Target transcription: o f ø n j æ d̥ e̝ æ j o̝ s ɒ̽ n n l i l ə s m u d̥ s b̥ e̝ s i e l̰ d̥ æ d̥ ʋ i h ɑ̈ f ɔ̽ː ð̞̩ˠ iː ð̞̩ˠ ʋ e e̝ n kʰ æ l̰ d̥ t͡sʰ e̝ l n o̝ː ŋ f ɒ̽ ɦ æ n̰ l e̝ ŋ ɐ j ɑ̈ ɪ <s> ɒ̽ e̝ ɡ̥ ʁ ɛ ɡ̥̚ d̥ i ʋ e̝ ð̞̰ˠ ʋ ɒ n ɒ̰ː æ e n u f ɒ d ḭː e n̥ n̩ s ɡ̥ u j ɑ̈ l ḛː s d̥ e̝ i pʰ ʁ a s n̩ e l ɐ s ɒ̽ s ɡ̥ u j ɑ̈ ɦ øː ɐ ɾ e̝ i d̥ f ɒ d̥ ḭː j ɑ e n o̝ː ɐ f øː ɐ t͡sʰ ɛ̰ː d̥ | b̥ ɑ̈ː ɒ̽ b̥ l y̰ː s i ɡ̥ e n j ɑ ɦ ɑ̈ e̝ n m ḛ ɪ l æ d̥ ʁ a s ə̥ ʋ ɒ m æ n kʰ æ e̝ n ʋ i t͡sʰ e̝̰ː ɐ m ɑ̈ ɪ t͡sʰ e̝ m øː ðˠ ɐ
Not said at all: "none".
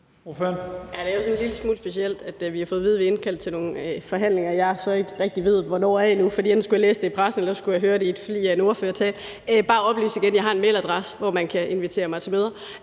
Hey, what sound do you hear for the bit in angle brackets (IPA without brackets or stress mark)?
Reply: s